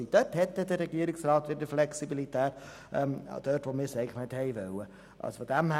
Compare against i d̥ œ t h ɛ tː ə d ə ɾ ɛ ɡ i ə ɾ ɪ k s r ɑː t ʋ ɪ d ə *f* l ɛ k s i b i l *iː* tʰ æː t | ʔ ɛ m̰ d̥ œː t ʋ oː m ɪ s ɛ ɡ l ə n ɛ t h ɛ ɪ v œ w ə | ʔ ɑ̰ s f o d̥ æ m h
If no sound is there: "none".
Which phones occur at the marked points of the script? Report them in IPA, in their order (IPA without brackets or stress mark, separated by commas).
f, i